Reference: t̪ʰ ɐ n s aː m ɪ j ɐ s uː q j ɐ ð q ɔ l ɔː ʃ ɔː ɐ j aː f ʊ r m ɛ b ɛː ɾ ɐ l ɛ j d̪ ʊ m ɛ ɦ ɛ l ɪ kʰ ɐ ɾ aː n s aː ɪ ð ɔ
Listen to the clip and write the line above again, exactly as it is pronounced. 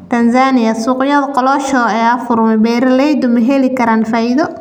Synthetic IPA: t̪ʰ ɐ n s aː n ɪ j ɐ s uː q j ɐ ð q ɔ l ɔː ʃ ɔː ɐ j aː f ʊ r m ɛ b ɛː ɾ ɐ l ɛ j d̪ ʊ m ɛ ɦ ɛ l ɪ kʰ ɐ ɾ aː n f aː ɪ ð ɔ